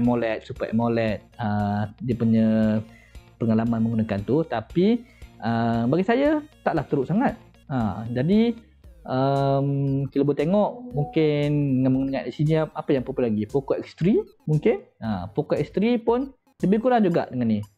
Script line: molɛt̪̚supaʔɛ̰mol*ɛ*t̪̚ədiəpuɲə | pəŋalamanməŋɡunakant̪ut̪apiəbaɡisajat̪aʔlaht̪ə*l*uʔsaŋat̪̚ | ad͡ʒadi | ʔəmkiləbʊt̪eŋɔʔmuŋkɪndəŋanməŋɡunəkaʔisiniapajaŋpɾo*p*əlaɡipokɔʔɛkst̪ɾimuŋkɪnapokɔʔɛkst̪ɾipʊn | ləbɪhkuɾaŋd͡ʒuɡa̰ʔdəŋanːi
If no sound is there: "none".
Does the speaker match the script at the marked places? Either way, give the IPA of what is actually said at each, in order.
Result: ɛ, ɾ, p

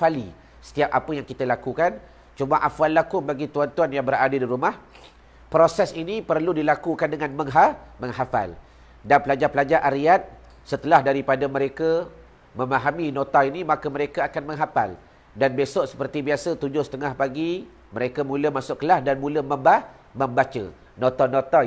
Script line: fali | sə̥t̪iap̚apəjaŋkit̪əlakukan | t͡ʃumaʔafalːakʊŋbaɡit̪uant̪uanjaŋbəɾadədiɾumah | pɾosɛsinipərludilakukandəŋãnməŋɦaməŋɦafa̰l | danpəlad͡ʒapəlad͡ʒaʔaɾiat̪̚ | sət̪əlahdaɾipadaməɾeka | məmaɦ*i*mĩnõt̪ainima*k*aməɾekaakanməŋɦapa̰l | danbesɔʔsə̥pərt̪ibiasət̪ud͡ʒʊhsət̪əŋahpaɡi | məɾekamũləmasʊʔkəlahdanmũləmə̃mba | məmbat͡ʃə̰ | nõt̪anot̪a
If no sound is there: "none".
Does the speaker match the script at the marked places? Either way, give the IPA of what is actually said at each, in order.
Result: a, k

